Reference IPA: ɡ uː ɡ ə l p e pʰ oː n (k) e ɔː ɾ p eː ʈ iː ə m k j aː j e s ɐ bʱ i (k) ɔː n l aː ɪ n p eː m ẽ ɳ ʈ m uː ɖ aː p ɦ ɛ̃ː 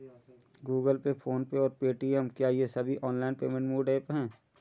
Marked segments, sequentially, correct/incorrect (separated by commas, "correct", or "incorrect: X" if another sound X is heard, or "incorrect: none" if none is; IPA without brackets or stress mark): incorrect: p, incorrect: ʔ